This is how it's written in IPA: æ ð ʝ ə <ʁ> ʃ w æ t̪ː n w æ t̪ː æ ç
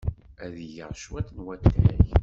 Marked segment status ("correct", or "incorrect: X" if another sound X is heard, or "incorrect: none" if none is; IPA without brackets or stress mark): correct